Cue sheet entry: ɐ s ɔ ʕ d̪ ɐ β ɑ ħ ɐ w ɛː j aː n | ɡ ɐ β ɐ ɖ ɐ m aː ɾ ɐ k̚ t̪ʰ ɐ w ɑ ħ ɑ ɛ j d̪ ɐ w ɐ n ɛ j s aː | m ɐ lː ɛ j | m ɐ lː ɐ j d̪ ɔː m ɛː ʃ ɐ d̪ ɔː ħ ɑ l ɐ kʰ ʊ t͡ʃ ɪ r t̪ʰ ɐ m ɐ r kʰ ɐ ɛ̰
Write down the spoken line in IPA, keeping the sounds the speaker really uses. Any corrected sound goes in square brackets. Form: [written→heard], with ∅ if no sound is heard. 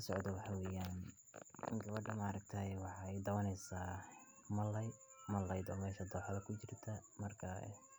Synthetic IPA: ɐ s ɔ ʕ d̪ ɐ [β→w] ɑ ħ [ɐ→ɑ] w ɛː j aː n | ɡ ɐ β ɐ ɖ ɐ m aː ɾ ɐ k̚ t̪ʰ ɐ w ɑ ħ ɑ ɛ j d̪ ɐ w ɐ n ɛ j s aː | m ɐ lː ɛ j | m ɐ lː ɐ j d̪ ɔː m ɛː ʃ ɐ d̪ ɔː ħ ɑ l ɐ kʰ ʊ t͡ʃ ɪ r t̪ʰ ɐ m ɐ r kʰ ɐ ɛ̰